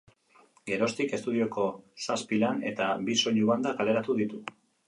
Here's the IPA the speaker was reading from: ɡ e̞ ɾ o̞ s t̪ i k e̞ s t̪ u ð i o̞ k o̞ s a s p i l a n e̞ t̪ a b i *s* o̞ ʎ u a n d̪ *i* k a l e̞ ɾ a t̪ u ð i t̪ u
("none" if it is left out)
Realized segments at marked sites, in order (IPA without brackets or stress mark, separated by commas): s, a